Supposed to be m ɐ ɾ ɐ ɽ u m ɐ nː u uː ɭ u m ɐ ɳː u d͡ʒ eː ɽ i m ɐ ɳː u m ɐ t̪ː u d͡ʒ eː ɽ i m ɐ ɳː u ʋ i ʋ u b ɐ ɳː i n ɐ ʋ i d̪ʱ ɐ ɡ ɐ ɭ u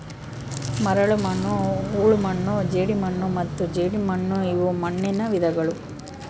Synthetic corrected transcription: m ɐ ɾ ɐ ɭ u m ɐ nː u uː ɭ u m ɐ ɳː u d͡ʒ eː ɽ i m ɐ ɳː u m ɐ t̪ː u d͡ʒ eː ɽ i m ɐ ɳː u i ʋ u m ɐ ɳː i n ɐ ʋ i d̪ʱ ɐ ɡ ɐ ɭ u